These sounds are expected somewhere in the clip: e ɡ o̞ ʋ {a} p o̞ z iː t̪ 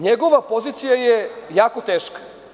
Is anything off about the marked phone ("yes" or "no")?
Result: no